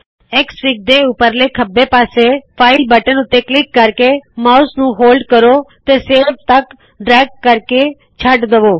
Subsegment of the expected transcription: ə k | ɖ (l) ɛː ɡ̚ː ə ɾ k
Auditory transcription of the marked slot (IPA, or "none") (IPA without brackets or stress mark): ɾ